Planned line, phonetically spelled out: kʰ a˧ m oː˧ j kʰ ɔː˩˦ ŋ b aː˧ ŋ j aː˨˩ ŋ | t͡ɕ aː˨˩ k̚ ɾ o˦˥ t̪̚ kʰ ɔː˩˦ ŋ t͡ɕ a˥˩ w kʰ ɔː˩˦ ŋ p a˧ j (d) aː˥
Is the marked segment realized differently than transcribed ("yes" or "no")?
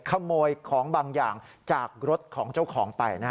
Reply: yes